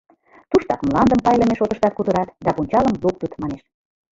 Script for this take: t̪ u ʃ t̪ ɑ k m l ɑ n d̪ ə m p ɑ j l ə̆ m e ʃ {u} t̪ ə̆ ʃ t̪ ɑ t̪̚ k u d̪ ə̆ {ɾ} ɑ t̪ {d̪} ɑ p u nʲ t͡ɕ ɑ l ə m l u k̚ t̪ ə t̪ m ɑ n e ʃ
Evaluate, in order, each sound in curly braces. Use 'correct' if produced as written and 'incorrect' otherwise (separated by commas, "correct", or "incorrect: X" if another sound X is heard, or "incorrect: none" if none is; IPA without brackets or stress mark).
incorrect: o, correct, correct